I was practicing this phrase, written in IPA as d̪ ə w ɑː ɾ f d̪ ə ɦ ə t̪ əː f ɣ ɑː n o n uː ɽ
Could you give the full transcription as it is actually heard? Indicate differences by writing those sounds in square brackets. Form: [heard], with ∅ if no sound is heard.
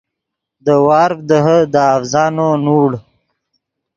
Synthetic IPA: d̪ ə w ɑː ɾ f d̪ ə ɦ ə [d̪] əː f [z] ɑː n o n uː ɽ

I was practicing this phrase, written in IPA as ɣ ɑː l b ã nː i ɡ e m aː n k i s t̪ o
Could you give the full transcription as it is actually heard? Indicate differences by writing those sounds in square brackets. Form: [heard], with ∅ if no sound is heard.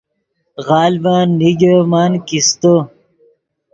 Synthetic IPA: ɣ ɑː l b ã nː i ɡ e m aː n k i s t̪ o

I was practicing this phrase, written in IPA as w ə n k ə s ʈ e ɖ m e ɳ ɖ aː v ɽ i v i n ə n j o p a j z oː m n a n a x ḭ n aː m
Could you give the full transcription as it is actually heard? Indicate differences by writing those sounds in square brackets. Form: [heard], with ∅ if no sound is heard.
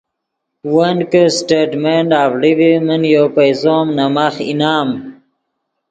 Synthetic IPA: w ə n k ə s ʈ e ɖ m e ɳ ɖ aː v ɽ i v i [m] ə n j o p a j z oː m n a [m] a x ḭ n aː m

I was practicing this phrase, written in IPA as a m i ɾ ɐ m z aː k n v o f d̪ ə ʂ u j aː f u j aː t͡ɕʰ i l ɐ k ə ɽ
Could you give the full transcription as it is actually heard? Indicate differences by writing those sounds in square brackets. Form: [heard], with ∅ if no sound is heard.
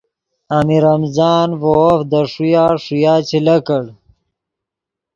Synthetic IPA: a m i ɾ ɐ m z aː [∅] n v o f d̪ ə ʂ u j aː [ʂ] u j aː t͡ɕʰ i l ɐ k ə ɽ

